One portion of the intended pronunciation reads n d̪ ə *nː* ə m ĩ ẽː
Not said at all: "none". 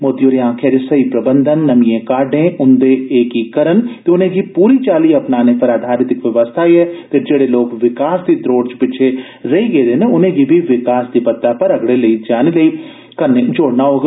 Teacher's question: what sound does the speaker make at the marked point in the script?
nː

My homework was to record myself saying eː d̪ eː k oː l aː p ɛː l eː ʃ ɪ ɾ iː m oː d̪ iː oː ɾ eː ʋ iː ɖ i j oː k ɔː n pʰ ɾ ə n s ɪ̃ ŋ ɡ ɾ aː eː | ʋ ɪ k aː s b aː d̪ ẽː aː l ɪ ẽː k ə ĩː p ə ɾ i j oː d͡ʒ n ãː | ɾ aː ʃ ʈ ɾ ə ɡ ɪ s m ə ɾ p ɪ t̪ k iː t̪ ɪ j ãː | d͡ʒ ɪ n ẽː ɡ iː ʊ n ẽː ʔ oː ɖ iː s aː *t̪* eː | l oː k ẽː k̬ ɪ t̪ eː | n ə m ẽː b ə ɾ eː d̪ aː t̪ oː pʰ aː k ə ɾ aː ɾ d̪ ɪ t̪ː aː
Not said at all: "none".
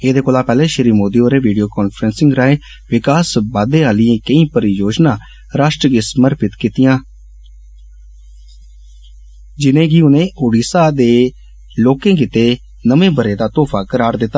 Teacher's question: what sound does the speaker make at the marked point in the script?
d̪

